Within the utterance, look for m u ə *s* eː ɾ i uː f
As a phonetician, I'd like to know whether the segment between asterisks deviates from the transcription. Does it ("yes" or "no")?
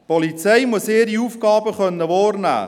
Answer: no